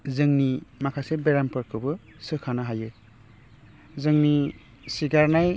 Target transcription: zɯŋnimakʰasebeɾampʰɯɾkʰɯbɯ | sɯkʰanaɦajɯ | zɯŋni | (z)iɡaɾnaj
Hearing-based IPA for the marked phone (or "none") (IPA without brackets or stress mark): s